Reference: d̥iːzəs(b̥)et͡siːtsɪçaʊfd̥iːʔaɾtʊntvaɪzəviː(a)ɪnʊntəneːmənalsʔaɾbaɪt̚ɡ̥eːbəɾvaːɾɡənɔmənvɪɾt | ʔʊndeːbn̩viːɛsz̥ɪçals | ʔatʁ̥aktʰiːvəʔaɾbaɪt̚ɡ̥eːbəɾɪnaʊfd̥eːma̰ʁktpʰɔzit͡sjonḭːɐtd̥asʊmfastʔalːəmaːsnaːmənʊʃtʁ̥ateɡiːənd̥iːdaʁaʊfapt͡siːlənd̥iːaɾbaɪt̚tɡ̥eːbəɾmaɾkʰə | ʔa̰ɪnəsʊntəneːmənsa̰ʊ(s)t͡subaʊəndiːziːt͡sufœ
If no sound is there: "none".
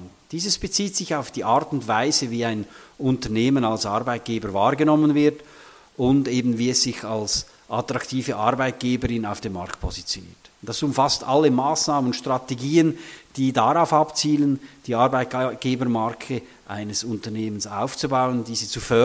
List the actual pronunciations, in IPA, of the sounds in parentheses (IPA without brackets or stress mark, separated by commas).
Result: b̥, a, f